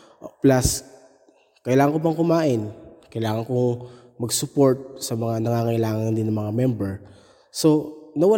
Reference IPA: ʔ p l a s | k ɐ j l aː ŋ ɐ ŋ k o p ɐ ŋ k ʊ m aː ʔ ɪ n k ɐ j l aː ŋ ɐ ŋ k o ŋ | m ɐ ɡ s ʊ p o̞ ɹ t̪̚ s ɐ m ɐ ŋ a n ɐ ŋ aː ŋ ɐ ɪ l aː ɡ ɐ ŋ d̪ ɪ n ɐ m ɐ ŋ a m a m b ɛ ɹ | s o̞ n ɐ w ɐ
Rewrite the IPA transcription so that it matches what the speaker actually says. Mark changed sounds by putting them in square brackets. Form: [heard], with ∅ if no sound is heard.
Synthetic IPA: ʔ p l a s | k ɐ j l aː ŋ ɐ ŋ k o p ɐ ŋ k ʊ m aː ʔ ɪ n k ɐ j l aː ŋ ɐ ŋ k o ŋ | m ɐ ɡ s ʊ p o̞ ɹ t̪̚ s ɐ m ɐ ŋ a n ɐ ŋ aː ŋ ɐ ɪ l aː [ŋ] ɐ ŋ d̪ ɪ n ɐ m ɐ ŋ a m [ɛ] m b ɛ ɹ | s o̞ n ɐ w ɐ